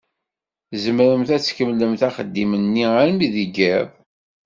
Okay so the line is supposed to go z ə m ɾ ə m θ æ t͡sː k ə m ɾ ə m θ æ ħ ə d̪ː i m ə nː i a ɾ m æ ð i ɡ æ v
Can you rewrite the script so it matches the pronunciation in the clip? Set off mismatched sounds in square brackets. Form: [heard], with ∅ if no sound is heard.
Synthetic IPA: z ə m ɾ ə m θ æ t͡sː k ə m [l] ə m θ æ [χ] ə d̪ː i m ə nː i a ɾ m [i] ð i ɡ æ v